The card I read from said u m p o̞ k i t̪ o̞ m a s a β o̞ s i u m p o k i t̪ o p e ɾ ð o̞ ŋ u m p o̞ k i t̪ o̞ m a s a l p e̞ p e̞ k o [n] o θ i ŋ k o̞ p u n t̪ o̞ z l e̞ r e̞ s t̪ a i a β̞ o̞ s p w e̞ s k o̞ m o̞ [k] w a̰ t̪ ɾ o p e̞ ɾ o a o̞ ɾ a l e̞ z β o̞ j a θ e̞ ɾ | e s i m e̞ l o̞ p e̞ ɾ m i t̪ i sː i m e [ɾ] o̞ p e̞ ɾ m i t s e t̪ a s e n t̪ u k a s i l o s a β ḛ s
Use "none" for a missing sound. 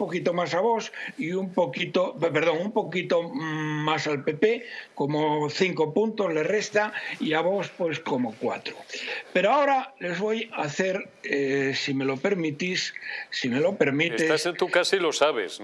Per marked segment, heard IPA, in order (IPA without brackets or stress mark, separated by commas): m, k, l